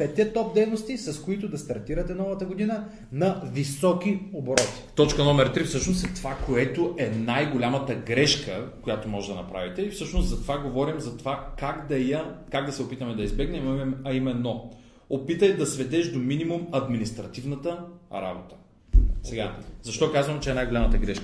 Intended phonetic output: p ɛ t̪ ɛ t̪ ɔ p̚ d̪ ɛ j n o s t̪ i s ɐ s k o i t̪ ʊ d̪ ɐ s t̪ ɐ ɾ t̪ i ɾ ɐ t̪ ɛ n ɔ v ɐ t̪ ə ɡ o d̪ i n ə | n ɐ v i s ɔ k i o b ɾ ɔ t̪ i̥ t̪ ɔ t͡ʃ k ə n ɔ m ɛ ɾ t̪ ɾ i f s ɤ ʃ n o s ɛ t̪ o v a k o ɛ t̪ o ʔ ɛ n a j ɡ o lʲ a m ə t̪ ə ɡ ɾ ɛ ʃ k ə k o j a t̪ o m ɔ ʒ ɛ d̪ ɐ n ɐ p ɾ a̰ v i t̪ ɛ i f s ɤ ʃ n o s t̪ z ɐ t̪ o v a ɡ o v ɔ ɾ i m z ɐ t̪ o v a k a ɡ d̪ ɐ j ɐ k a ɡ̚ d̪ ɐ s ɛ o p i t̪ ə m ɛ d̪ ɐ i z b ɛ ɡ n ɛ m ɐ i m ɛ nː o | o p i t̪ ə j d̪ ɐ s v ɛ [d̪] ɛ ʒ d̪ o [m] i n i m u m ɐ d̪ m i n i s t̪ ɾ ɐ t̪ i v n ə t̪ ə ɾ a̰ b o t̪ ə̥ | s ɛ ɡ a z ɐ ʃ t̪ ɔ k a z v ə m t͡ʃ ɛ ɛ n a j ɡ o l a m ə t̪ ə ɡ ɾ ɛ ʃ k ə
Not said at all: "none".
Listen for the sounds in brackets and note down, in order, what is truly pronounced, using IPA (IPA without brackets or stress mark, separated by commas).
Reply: d̪, m